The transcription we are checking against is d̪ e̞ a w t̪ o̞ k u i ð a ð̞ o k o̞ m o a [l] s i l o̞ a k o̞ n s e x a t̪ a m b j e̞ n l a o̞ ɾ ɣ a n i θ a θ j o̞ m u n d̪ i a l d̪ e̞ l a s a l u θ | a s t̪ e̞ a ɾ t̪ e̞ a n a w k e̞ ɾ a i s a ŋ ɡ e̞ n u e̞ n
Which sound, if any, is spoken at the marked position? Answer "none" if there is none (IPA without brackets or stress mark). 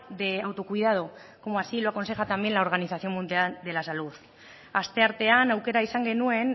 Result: none